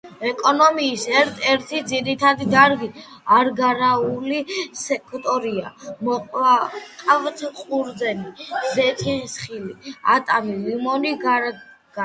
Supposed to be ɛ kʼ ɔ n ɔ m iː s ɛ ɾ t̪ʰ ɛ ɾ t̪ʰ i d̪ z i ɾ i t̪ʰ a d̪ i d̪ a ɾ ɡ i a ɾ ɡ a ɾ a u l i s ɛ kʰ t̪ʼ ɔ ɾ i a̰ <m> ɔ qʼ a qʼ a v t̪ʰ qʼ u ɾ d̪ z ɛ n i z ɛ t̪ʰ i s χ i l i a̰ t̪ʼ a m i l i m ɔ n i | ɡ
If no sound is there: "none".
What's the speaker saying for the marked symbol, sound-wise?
m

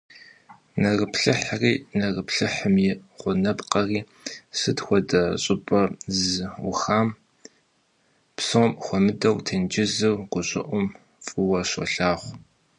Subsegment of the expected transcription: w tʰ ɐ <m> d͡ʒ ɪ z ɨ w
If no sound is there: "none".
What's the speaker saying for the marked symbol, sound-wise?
n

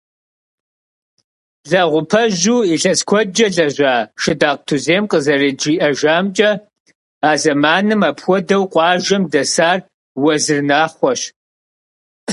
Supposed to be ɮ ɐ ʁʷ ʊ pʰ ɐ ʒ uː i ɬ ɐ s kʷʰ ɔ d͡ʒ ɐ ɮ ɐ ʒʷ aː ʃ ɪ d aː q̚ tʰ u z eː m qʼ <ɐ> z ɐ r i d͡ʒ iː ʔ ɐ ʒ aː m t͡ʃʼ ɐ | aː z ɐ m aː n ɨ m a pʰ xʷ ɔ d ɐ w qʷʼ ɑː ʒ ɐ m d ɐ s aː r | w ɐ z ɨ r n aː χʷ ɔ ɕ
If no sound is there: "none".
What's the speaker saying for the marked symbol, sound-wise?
ə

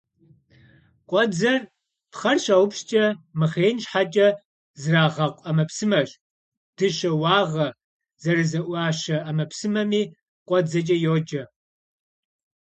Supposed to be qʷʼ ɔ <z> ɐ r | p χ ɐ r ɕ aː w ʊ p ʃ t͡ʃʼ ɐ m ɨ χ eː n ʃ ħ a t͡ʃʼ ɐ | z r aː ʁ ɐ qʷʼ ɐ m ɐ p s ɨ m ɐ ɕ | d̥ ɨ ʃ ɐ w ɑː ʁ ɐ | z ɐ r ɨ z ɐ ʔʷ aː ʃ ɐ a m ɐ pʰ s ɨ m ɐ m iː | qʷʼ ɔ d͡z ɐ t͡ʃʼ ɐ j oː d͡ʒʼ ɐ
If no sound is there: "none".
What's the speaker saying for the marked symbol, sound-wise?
d͡z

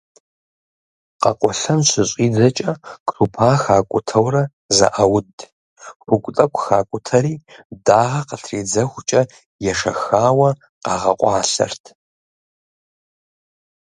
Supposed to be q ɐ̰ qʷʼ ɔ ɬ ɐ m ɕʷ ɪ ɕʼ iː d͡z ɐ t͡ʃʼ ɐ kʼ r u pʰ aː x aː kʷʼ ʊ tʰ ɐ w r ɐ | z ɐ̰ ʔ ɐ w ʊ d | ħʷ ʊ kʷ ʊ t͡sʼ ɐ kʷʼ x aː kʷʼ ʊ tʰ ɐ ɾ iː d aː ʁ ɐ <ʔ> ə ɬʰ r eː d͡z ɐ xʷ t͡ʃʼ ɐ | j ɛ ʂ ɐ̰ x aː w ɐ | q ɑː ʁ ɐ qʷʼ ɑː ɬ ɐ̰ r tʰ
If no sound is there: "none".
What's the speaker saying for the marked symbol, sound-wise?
q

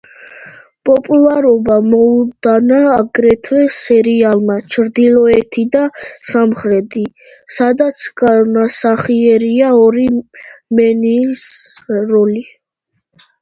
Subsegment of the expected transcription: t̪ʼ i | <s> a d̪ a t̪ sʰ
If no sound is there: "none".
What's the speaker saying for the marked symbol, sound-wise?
s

